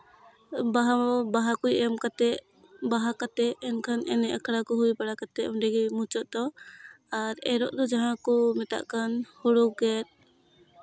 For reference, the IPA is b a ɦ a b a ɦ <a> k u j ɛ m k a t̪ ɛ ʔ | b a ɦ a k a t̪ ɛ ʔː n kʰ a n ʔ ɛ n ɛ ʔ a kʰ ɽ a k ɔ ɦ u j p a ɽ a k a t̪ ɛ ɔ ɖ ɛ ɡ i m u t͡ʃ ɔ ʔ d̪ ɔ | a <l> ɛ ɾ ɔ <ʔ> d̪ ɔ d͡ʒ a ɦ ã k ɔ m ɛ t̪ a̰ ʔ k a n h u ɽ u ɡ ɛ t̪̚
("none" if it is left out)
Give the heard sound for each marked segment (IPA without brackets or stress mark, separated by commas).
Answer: a, ɾ, ʔ